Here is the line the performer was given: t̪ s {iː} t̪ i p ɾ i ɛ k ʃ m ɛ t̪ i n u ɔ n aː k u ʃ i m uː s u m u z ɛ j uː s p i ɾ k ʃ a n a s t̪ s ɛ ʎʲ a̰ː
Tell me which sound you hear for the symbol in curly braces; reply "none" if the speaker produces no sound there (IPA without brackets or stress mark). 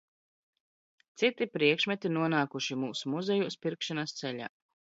i